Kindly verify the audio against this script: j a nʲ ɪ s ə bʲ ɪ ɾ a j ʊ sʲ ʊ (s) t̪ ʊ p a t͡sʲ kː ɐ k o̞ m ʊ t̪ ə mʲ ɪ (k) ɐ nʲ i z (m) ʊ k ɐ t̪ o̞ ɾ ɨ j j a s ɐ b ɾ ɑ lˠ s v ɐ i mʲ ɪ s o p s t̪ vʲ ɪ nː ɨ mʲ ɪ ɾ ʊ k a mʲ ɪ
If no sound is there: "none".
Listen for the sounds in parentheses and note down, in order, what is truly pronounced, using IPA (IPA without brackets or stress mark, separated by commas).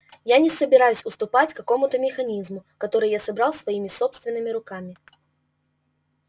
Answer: s, x, m